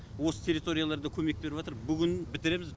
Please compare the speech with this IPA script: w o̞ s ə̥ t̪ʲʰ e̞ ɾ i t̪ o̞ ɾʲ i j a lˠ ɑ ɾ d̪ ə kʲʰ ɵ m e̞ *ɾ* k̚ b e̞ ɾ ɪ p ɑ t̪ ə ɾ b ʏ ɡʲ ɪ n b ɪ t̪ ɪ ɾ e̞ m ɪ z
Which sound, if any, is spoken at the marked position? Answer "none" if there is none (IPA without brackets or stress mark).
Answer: none